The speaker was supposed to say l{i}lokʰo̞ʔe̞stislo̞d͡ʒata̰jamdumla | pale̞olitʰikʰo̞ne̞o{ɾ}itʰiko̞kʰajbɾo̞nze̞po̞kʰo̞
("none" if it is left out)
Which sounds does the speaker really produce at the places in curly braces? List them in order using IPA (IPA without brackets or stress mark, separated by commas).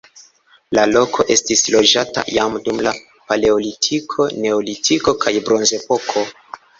a, l